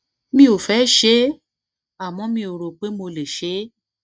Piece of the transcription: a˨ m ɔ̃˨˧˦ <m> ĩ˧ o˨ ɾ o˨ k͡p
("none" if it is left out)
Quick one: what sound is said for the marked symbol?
m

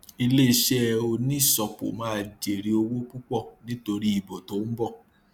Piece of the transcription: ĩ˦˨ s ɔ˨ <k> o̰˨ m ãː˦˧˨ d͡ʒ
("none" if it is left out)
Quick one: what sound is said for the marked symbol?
k͡p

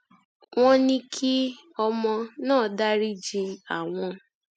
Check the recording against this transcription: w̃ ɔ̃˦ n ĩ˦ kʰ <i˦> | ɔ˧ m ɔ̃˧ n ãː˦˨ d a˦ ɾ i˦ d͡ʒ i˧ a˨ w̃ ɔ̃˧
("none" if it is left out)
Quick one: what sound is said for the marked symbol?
i˦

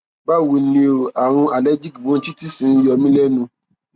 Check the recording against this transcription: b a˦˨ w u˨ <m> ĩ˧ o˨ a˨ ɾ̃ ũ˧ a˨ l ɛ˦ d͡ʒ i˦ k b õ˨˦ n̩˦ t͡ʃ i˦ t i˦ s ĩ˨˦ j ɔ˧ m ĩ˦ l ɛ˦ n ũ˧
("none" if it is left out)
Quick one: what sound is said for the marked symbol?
n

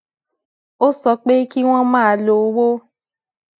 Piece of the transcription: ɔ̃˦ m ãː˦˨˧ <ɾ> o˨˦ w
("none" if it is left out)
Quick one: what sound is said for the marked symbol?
l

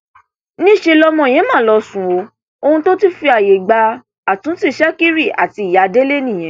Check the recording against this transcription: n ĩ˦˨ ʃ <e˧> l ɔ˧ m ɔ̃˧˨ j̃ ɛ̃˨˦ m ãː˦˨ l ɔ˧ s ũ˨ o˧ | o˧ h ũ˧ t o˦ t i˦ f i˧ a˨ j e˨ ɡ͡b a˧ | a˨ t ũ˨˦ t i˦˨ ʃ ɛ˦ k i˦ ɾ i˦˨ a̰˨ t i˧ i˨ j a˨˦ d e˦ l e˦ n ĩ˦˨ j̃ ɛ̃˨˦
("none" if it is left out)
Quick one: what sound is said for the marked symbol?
e˧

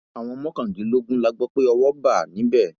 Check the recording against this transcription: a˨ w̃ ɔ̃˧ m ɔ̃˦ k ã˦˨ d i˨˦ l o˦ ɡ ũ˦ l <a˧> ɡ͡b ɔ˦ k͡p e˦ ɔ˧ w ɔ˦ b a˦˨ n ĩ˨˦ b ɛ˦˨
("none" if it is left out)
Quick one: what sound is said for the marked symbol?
a˧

